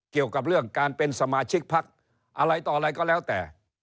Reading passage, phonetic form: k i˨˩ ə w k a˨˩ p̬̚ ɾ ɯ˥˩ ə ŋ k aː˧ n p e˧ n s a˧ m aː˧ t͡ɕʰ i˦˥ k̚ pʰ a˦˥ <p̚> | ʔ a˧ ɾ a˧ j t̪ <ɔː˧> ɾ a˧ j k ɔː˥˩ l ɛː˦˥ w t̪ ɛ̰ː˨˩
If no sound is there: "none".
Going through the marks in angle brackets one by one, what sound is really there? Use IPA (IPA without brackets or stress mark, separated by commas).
k̚, ɔː˨˩